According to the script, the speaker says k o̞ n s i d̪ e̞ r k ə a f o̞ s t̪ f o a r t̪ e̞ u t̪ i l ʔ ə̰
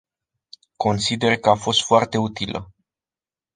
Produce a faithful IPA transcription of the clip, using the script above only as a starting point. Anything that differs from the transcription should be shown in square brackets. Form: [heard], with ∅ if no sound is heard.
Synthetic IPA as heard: k o̞ n s i d̪ e̞ r k ə a f o̞ s t̪ f o a r t̪ e̞ u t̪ i l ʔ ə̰